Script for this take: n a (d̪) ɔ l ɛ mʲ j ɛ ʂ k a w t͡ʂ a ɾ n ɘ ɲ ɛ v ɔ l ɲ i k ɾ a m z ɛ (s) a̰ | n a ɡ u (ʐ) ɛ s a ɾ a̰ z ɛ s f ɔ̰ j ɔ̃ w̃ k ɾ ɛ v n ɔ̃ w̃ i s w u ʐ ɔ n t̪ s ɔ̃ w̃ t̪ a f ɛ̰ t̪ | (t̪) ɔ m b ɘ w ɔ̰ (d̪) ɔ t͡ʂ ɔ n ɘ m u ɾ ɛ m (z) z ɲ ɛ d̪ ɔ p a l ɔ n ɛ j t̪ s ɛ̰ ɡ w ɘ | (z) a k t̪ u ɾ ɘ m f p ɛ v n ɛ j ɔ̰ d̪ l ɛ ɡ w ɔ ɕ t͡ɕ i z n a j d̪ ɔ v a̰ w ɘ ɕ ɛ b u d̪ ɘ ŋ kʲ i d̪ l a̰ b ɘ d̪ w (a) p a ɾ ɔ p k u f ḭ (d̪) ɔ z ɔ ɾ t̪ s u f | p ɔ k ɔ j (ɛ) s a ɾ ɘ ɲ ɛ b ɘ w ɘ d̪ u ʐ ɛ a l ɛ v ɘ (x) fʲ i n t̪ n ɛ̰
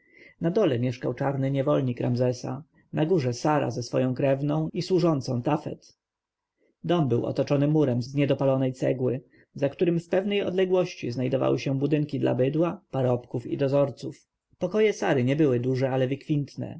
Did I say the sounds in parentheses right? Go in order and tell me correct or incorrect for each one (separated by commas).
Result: correct, correct, correct, incorrect, incorrect, correct, correct, correct, correct, correct, incorrect